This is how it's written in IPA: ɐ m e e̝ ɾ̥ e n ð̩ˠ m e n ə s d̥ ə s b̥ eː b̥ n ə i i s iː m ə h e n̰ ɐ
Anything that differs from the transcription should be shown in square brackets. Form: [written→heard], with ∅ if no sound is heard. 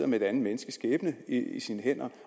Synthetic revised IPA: ɐ m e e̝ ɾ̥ [e→æ] n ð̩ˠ m e n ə s [d̥→ɡ̥] ə s [b̥→ɡ̥] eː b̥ n ə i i s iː [m→n] ə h e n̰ ɐ